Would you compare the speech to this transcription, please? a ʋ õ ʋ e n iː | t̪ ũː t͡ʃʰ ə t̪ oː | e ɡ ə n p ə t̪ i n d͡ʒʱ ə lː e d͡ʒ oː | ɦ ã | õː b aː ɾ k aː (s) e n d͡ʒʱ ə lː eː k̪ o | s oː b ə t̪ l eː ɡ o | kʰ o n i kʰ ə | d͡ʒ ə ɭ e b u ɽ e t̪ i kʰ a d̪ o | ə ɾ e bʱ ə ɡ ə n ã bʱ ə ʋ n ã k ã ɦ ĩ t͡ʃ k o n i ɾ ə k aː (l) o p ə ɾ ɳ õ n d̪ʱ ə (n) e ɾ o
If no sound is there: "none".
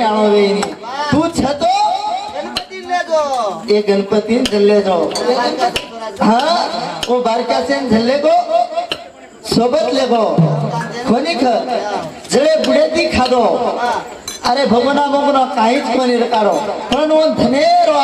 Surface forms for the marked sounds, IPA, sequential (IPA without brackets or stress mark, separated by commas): s, ɾ, n